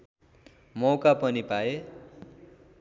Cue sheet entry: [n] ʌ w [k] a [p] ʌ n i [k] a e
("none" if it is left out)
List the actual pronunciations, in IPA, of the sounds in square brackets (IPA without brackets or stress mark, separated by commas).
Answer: m, k, p, p